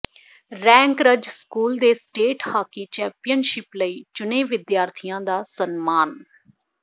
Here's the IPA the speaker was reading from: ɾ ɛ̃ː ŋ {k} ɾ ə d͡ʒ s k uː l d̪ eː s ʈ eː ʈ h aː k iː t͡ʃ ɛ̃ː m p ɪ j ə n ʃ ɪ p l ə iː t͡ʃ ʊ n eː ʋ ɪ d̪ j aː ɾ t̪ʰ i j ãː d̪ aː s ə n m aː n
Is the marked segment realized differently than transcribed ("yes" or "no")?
no